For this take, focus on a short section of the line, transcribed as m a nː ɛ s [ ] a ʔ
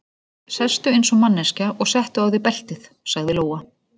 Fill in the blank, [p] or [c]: c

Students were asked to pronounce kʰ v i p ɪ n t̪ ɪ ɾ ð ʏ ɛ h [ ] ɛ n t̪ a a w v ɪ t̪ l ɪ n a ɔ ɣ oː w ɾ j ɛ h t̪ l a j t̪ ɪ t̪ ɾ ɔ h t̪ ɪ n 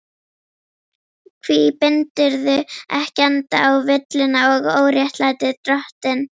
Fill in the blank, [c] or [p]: c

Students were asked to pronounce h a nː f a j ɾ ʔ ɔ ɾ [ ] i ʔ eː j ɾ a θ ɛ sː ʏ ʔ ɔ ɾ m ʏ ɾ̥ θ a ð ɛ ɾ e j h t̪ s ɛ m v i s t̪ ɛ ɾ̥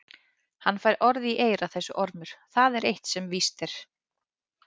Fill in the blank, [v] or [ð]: ð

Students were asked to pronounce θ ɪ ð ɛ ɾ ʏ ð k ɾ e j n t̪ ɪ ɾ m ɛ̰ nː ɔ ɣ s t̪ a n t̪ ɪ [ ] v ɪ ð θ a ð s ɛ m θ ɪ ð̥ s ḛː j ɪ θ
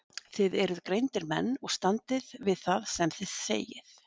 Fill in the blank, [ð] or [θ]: ð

